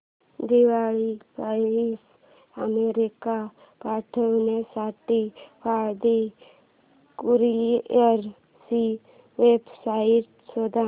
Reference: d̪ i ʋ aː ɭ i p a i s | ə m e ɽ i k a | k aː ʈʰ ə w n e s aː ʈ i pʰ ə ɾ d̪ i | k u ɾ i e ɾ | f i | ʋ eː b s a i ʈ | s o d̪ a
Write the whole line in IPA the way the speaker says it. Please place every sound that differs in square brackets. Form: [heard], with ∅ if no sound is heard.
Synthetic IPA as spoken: d̪ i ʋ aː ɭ i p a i s | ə m e [ɾ] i k a | [p] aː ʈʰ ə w n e s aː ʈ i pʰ [a] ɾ d̪ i | k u ɾ i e ɾ | [s] i | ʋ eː b s a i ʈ | s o d̪ a

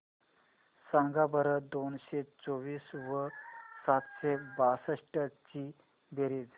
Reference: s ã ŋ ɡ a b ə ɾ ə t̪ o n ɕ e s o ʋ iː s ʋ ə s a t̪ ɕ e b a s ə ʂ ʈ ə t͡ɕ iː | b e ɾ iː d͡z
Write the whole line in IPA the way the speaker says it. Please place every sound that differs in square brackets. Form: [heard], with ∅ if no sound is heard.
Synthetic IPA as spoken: s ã ŋ ɡ a b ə ɾ ə [d̪] o n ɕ e [t͡s] o ʋ iː s ʋ ə s a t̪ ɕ e b a s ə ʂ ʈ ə t͡ɕ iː | b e ɾ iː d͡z

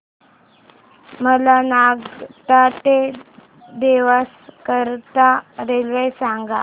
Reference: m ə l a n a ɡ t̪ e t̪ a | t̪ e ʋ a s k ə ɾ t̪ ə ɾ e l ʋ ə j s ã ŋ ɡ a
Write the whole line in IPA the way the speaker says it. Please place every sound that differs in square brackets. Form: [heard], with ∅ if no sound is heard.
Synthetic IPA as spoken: m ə l a n a ɡ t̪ [a] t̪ [e] | [d̪] e ʋ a s k ə ɾ t̪ [a] ɾ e l ʋ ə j s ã ŋ ɡ a

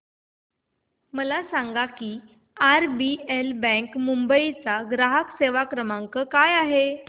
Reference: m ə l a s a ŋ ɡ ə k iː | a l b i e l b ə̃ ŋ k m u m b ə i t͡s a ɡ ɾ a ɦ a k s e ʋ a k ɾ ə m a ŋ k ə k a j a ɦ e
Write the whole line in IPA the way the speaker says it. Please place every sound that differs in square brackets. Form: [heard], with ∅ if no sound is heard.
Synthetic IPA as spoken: m ə l a s a ŋ ɡ [a] k iː | a [ɾ] b i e l b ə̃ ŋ k m u m b ə i t͡s a ɡ ɾ a ɦ [ə] k s e ʋ a k ɾ ə m a ŋ k ə k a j a ɦ e

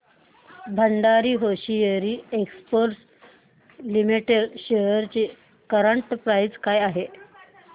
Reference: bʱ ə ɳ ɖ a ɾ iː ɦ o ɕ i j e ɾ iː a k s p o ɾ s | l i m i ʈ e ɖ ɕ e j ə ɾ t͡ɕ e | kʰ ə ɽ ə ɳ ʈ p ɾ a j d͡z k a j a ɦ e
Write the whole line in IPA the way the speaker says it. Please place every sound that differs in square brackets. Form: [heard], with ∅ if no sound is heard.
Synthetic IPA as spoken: bʱ ə ɳ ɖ a ɾ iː ɦ o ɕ i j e ɾ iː [e] k s p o ɾ s | l i m i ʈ e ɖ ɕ e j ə ɾ t͡ɕ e | [k] ə [ɾ] ə ɳ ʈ p ɾ a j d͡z k a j a ɦ e

